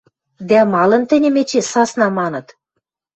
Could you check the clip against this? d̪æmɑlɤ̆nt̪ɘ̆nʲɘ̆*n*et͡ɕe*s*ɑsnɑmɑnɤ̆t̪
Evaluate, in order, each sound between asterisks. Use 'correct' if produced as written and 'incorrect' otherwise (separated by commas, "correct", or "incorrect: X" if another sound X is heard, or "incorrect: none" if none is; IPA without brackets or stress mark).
incorrect: m, correct